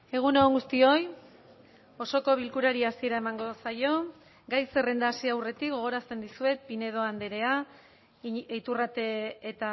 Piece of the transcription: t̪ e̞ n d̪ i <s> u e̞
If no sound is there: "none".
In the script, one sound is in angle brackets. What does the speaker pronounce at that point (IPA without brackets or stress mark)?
s